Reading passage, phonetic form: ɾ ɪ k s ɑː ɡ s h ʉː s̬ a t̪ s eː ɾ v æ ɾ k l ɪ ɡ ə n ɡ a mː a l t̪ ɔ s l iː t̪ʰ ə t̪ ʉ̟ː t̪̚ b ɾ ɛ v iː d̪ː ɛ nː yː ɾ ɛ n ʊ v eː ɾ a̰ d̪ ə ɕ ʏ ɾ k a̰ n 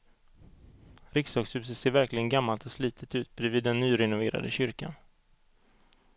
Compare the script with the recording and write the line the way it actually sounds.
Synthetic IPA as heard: ɾ ɪ k s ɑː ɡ s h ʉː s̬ ə t̪ s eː ɾ v æ ɾ k l ɪ ɡ ə n ɡ a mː a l t̪ ɔ s l iː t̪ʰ ə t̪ ʉ̟ː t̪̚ b ɾ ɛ v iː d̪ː ɛ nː yː ɾ ɛ n ʊ v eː ɾ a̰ d̪ ə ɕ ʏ ɾ k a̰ n

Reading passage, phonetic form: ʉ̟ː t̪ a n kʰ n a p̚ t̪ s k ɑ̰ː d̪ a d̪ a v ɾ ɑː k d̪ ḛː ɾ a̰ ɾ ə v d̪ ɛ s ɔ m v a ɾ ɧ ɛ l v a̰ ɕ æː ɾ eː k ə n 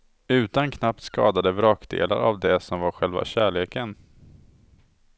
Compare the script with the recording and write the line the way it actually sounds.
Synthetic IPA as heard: ʉ̟ː t̪ a n kʰ n a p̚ t̪ s k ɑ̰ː d̪ a d̪ ə v ɾ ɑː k d̪ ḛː l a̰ ɾ a v d̪ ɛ s ɔ m v a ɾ ɧ ɛ l v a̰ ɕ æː ɭ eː k ə n

